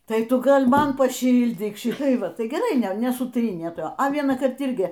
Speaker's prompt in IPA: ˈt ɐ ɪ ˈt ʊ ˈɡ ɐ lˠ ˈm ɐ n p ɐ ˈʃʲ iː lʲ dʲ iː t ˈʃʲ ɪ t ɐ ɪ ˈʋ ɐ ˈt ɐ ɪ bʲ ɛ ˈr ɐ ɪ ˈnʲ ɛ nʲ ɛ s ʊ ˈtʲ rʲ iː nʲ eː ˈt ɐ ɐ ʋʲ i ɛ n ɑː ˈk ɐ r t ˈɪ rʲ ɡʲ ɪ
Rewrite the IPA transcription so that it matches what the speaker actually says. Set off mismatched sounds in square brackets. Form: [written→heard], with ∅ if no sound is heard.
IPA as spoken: ˈt ɐ ɪ ˈt ʊ ˈɡ ɐ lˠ ˈm ɐ n p ɐ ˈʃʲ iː lʲ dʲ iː [t→k] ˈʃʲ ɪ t ɐ ɪ ˈʋ ɐ ˈt ɐ ɪ [bʲ→ɡʲ] ɛ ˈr ɐ ɪ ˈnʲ ɛ nʲ ɛ s ʊ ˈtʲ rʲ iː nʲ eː ˈt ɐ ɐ ʋʲ i ɛ n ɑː ˈk ɐ r t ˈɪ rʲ ɡʲ ɪ